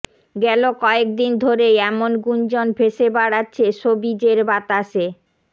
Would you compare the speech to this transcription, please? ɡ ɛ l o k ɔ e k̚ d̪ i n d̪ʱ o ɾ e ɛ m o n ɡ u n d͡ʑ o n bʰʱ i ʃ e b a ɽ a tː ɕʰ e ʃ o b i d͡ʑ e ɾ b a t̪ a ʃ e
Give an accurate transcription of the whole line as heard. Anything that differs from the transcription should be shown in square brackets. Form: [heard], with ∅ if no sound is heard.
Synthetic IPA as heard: ɡ ɛ l o k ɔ e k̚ d̪ i n d̪ʱ o ɾ e ɛ m o n ɡ u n d͡ʑ o n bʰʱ [e] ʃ e b a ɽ a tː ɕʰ e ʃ o b i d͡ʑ e ɾ b a t̪ a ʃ e